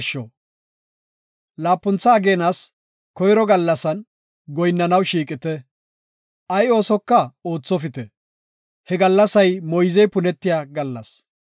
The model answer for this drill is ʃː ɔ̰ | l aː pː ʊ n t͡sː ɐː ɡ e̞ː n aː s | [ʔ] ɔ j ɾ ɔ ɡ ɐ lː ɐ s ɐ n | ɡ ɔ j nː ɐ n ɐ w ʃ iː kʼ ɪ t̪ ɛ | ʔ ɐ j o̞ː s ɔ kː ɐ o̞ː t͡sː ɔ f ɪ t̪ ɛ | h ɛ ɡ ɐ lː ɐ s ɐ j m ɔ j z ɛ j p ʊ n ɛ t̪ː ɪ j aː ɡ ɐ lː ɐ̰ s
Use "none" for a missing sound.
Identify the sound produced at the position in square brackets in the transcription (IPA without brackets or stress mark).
k